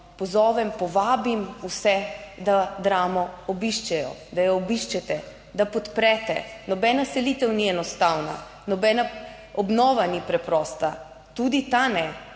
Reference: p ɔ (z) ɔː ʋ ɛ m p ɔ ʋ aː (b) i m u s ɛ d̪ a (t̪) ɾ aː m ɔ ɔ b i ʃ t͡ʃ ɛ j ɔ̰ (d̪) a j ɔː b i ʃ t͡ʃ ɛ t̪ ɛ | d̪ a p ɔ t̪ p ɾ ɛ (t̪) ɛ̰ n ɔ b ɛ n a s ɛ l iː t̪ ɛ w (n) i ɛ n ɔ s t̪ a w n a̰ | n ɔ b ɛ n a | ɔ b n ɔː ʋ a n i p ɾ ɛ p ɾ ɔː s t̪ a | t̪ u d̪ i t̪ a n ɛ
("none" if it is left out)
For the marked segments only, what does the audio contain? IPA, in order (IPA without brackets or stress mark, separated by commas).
z, b, d̪, d̪, t̪, n